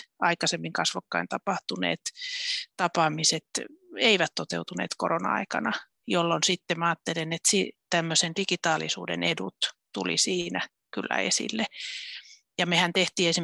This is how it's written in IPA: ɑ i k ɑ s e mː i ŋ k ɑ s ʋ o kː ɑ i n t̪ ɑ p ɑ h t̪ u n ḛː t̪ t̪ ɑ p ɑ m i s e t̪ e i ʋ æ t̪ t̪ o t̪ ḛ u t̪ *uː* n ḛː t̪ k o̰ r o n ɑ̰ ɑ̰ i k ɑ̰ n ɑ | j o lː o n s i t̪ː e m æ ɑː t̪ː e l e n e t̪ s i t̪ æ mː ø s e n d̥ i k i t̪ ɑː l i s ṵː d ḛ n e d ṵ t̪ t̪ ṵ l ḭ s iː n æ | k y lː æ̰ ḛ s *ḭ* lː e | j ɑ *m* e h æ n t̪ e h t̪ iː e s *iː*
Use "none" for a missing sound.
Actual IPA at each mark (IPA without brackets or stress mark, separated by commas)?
u, ḭ, m, i